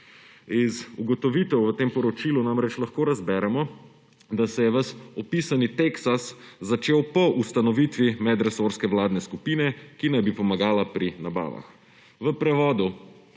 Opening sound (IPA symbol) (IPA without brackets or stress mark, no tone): i